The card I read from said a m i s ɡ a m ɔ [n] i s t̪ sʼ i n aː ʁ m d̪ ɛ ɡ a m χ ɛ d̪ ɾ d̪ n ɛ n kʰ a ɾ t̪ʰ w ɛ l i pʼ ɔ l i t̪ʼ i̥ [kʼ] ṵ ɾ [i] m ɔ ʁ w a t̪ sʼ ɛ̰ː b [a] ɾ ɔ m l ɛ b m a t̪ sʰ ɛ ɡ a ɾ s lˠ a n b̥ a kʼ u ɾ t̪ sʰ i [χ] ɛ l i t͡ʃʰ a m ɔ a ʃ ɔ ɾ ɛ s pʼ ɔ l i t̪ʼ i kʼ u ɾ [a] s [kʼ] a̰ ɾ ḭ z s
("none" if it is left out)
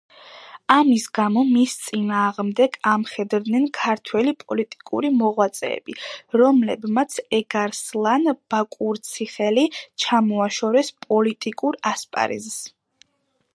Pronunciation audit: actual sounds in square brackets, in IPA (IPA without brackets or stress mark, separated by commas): m, kʼ, i, i, χ, a, pʼ